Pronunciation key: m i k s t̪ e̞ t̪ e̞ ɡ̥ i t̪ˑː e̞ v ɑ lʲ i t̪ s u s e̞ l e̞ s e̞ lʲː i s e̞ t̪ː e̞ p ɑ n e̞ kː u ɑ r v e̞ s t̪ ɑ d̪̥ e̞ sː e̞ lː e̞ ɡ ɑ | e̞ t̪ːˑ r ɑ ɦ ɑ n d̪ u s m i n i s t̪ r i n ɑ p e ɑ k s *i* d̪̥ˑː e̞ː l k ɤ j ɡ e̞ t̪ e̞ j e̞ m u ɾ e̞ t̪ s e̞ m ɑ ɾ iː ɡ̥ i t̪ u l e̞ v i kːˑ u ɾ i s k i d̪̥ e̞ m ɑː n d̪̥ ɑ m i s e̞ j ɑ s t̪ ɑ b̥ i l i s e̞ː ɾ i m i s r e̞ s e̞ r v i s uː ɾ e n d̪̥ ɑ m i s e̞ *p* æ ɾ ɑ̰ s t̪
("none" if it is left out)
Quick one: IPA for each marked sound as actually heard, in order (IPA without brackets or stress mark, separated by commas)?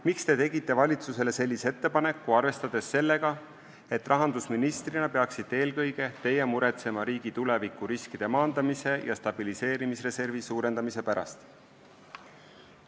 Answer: i, p